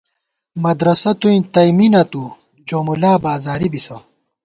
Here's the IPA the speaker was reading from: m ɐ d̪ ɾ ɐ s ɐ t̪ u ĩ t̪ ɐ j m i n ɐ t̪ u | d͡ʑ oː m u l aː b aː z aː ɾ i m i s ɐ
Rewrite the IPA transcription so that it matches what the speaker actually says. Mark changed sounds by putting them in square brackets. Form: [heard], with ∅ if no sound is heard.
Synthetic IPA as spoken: m ɐ d̪ ɾ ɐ s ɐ t̪ u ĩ t̪ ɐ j m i n ɐ t̪ u | d͡ʑ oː m u l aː b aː z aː ɾ i [b] i s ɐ